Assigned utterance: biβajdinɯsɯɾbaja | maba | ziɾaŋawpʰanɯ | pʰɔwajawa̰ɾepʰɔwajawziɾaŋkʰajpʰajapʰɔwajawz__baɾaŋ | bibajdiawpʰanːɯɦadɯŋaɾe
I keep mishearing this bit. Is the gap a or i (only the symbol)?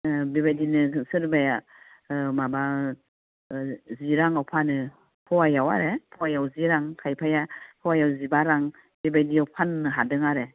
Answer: i